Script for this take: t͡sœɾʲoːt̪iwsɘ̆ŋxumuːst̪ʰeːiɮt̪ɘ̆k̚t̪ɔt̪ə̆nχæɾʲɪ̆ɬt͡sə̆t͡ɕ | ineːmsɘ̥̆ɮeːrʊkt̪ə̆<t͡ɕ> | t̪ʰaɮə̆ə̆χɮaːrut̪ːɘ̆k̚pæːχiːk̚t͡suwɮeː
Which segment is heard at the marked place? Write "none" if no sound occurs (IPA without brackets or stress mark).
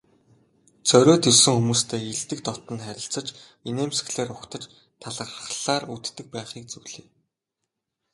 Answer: t͡ɕ